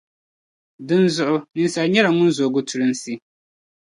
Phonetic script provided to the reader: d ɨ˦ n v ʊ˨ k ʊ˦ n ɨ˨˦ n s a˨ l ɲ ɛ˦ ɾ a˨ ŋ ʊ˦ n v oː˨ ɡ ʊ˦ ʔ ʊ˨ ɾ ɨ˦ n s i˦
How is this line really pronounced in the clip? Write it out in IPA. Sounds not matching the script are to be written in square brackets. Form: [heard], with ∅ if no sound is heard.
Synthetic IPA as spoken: d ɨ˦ n [z] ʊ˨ [ʔ] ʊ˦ n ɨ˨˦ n s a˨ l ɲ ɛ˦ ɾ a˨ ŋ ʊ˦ n [z] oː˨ ɡ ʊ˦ [t] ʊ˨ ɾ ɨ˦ n s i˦